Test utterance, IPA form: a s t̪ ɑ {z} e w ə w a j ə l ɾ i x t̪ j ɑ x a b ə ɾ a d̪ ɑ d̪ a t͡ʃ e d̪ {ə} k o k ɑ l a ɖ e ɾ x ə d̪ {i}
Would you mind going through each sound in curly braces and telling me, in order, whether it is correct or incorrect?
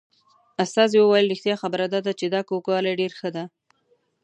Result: correct, incorrect, incorrect

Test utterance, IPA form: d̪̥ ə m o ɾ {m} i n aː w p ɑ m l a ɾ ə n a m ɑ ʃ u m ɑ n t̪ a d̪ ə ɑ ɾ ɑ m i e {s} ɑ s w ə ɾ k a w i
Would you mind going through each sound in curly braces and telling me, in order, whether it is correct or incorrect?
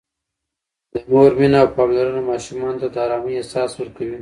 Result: correct, correct

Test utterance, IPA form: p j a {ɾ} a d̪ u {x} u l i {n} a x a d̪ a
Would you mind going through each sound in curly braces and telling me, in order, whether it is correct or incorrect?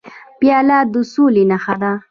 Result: incorrect, incorrect, correct

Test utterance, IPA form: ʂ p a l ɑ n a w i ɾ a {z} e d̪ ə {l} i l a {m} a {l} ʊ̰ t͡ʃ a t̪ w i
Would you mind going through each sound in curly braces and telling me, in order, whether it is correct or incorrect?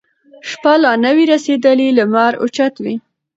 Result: incorrect, correct, correct, incorrect

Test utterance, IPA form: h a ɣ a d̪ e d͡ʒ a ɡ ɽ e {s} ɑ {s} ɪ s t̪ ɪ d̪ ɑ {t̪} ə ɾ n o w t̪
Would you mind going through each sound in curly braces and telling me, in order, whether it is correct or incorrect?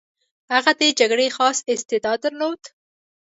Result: incorrect, correct, incorrect

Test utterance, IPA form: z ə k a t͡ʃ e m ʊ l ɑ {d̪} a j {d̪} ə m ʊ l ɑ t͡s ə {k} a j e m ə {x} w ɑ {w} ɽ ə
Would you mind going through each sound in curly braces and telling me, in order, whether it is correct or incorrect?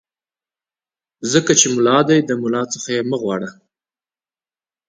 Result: correct, correct, incorrect, incorrect, incorrect

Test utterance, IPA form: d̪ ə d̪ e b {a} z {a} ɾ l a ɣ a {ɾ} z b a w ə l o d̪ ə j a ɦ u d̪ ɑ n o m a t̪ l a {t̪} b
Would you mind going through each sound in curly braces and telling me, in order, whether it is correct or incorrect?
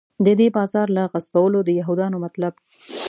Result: incorrect, incorrect, incorrect, incorrect

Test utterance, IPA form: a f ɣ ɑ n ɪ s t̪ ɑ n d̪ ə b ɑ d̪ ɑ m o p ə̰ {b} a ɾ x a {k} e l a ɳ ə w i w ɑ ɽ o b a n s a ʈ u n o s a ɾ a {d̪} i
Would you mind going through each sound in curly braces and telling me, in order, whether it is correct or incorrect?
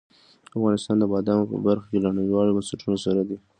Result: correct, correct, correct

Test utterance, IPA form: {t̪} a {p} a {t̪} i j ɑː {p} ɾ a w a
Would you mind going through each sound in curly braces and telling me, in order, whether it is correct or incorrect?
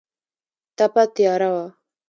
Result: correct, correct, correct, incorrect

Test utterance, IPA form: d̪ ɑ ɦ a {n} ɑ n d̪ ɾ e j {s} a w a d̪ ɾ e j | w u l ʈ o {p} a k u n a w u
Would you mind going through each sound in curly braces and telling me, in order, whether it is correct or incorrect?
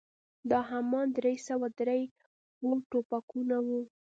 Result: incorrect, correct, correct

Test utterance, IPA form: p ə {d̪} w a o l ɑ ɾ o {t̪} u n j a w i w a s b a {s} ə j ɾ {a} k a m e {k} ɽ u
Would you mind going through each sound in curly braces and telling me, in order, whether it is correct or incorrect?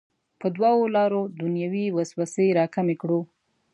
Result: correct, incorrect, correct, incorrect, correct

